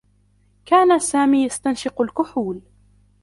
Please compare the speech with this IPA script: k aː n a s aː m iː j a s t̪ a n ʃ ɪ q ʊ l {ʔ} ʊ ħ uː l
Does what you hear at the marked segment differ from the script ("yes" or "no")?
yes